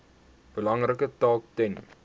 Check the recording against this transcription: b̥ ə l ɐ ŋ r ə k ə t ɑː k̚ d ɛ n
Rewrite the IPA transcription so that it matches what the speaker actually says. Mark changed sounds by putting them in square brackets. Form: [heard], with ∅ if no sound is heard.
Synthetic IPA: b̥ ə l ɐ ŋ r ə k ə t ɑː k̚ [t] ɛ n